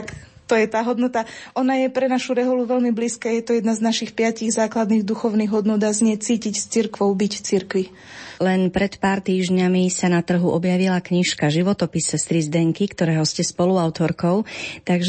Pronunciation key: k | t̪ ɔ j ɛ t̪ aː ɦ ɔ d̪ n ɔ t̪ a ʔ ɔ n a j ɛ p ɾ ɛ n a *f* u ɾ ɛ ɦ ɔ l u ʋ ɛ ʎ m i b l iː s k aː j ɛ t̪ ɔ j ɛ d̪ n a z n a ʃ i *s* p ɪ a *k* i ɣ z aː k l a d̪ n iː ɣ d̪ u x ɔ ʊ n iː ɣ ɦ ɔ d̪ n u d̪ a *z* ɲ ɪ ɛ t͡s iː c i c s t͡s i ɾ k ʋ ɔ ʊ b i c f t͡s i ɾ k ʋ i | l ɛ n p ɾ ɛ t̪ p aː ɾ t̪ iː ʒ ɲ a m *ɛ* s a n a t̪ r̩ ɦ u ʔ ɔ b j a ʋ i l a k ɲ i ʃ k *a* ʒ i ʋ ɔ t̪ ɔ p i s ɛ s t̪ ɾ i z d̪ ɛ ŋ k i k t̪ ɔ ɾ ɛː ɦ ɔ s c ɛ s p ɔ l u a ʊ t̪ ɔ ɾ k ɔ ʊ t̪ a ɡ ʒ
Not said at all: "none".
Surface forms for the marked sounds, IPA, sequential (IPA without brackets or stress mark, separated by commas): ʃ, x, c, z, i, a